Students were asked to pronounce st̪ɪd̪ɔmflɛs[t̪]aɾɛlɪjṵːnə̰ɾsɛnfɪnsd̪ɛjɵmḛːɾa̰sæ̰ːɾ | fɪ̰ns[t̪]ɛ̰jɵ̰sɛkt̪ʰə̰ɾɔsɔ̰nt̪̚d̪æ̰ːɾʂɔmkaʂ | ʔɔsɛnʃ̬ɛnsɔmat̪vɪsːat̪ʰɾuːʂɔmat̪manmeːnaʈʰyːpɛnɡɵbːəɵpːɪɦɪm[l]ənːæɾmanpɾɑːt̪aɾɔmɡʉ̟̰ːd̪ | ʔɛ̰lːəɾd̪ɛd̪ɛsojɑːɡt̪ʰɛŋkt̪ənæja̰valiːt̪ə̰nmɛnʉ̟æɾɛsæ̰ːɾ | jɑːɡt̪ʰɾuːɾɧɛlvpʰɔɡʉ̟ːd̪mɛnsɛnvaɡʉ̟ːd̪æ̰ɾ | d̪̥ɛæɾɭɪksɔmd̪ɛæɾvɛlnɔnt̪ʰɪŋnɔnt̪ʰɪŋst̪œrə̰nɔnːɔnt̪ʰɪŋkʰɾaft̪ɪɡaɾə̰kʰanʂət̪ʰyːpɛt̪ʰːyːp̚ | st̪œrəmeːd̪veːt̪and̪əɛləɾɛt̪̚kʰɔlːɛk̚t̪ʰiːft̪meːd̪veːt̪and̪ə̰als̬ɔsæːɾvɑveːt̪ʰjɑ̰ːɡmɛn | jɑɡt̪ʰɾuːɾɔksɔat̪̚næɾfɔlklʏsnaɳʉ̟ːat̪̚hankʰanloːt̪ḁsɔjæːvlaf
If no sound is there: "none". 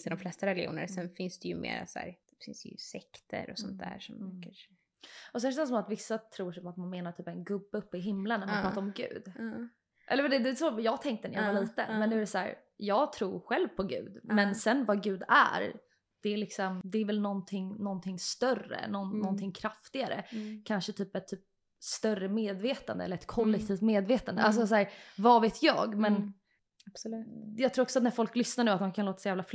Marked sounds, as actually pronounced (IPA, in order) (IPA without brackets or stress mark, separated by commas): t̪, d̪, l